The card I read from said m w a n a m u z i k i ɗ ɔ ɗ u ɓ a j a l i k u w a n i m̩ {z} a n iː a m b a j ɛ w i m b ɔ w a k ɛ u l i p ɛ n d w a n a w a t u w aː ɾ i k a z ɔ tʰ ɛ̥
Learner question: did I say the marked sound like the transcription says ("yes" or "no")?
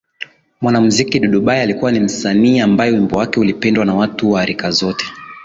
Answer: no